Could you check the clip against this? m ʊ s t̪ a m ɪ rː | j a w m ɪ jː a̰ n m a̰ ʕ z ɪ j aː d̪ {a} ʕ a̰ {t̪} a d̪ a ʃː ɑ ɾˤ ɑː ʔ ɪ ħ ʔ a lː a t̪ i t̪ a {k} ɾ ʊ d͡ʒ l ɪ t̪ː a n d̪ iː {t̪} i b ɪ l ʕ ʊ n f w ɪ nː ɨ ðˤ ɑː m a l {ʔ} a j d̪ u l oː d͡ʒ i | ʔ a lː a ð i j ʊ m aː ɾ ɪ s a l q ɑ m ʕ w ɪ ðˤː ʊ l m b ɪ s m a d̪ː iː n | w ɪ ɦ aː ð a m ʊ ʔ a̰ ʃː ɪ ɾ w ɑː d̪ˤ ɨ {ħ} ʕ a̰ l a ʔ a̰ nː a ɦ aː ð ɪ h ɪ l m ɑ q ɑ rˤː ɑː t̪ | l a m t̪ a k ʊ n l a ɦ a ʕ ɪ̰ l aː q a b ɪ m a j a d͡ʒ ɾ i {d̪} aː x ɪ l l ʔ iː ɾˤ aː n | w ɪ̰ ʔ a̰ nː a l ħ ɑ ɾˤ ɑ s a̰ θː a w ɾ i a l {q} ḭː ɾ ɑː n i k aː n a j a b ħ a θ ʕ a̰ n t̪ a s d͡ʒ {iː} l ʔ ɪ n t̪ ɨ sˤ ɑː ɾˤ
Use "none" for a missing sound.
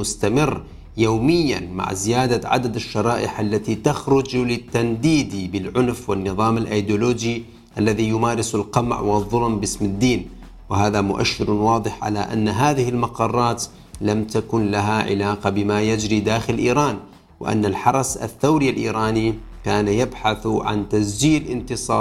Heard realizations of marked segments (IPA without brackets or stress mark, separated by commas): a, d̪, x, d̪, ʔ, ħ, d̪, ʔ, iː